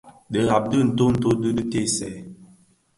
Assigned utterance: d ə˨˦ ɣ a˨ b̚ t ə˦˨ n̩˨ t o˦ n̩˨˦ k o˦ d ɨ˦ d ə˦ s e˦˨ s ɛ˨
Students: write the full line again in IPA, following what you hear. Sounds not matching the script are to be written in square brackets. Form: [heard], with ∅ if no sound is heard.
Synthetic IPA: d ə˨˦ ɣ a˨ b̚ [d] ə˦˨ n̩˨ t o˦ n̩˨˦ [t] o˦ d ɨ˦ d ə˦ [t] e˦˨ s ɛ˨